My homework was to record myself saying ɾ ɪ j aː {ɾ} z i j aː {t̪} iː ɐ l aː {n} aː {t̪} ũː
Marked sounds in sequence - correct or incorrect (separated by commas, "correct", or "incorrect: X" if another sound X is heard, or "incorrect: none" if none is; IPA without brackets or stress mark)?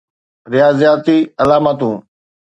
incorrect: none, correct, incorrect: m, correct